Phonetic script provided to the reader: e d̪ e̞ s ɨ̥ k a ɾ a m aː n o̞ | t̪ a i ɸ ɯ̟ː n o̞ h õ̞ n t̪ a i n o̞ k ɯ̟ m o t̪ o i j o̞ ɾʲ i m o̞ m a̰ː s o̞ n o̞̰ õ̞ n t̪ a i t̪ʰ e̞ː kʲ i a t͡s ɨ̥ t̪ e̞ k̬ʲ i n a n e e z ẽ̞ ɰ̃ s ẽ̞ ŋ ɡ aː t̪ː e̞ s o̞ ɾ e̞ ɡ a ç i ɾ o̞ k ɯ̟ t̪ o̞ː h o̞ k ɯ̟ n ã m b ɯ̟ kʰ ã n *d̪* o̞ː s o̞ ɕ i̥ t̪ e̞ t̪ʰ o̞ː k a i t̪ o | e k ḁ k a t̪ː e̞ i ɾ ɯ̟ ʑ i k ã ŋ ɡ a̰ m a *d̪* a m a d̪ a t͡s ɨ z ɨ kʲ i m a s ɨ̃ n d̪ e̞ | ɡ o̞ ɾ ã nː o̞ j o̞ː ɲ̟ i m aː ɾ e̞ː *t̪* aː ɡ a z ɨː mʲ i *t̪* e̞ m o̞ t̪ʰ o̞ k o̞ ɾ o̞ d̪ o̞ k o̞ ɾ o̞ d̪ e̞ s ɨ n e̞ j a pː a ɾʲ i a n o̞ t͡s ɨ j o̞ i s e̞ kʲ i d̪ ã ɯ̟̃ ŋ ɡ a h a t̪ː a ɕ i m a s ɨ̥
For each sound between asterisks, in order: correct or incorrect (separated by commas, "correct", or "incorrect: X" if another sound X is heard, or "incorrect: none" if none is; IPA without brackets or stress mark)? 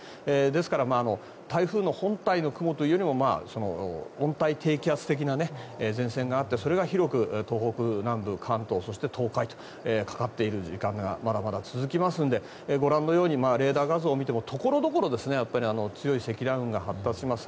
incorrect: t̪, correct, incorrect: d̪, correct